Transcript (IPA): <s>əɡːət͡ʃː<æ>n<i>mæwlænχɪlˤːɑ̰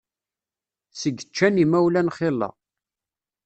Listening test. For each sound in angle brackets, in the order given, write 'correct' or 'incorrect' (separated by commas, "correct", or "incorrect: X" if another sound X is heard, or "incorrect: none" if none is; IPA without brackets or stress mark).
correct, correct, correct